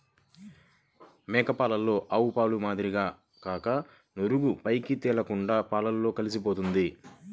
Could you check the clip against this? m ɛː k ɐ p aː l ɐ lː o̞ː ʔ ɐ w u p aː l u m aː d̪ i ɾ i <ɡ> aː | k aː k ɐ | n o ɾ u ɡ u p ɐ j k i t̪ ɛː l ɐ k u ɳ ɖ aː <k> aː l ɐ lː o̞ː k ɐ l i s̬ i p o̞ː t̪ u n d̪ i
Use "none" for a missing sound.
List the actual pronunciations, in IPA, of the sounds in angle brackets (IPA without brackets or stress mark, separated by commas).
ɡ, p